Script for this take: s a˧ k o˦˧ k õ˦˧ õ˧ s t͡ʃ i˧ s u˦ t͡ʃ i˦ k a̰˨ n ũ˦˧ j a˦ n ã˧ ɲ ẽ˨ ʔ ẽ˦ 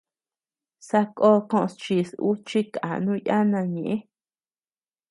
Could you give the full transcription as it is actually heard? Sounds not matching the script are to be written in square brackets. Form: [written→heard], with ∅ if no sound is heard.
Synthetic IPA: s a˧ k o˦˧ k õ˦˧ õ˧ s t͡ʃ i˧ s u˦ t͡ʃ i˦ k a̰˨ n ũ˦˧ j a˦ n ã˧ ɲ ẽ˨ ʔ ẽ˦